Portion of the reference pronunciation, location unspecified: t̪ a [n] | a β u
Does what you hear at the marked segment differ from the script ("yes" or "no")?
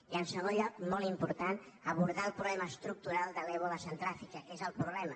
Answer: no